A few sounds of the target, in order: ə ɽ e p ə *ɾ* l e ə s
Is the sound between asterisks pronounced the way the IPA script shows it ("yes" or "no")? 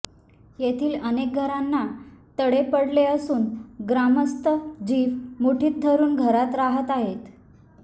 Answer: no